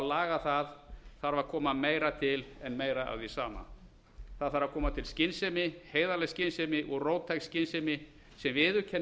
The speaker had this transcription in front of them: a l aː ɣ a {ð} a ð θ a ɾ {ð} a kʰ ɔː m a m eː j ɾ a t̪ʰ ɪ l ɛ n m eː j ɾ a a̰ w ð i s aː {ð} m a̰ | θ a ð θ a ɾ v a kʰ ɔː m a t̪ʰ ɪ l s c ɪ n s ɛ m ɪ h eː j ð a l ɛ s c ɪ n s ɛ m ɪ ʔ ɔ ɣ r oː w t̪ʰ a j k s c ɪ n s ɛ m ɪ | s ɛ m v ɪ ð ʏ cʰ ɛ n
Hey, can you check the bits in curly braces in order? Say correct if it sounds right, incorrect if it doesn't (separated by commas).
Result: incorrect, incorrect, incorrect